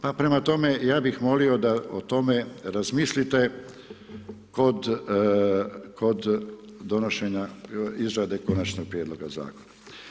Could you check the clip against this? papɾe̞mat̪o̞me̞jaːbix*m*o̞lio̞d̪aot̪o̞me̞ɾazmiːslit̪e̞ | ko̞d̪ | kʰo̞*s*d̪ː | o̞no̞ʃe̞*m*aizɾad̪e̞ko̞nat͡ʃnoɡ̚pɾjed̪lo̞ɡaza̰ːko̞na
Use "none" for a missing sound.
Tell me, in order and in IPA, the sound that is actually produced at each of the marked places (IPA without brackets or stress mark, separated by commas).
m, none, ɲ